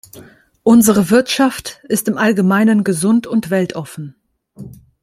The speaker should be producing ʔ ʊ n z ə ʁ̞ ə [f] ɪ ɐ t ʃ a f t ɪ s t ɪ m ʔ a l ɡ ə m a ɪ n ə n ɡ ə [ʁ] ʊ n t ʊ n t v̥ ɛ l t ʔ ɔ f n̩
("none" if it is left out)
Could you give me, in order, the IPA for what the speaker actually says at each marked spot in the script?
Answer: v, z

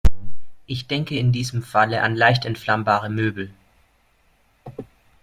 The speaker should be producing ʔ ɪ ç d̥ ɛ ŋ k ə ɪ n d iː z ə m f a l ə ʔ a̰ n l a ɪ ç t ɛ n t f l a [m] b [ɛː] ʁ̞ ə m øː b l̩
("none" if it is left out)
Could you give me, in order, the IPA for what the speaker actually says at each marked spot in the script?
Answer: m, aː

